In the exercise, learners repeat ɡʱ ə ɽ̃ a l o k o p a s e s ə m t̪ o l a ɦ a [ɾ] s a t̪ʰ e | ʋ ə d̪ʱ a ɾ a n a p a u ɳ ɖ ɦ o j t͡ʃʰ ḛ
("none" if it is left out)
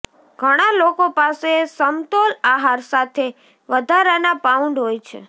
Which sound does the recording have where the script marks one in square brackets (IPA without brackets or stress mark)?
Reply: ɾ